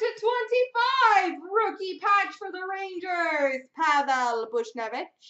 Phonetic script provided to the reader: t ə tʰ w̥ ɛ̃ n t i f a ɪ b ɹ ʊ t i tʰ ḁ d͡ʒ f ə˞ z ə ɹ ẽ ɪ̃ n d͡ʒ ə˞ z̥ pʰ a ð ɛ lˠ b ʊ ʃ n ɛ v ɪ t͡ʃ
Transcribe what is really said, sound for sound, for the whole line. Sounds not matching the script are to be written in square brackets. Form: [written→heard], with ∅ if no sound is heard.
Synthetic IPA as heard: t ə tʰ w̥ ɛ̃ n t i f a ɪ [b→v] ɹ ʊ [t→k] i [tʰ→pʰ] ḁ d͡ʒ f ə˞ [z→ð] ə ɹ ẽ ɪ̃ n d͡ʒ ə˞ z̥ pʰ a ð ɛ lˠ b ʊ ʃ n ɛ v ɪ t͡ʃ